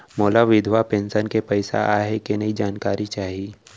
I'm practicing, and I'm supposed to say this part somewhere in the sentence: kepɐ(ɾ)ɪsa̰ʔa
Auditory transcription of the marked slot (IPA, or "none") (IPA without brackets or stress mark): none